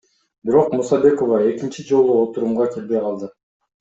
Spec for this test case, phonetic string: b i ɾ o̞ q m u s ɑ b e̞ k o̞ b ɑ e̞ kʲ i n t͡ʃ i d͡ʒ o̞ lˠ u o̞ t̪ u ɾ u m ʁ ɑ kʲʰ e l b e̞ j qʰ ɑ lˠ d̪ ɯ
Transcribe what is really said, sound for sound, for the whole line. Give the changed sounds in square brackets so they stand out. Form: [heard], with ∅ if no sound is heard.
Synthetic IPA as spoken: b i ɾ o̞ q m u s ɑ b e̞ k o̞ [v] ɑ e̞ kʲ i n t͡ʃ i d͡ʒ o̞ lˠ u o̞ t̪ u ɾ u m ʁ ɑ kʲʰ e l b e̞ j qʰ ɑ lˠ d̪ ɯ